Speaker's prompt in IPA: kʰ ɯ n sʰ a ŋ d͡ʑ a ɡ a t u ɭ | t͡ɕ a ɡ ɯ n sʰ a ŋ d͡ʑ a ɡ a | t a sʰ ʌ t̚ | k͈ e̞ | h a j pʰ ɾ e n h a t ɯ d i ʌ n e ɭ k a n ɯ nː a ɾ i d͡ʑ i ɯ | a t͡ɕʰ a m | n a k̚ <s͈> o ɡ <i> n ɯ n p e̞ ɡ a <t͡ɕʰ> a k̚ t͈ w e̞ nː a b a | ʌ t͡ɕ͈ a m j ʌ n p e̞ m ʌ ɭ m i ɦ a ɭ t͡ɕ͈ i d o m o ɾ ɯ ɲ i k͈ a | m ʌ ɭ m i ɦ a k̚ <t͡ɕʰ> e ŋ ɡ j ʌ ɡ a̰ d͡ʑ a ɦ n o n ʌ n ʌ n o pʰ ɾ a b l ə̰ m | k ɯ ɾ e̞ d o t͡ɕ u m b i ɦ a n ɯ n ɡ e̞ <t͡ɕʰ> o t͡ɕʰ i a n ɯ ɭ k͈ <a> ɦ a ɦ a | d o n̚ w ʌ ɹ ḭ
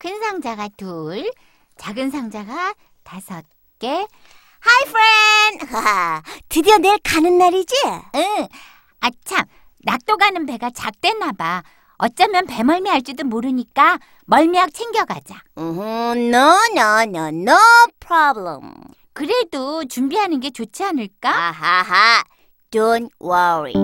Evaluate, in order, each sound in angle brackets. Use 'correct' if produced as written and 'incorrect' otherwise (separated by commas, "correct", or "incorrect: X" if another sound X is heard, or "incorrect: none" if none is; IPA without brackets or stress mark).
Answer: incorrect: t͈, incorrect: a, incorrect: t͡ɕ, correct, incorrect: t͡ɕ, correct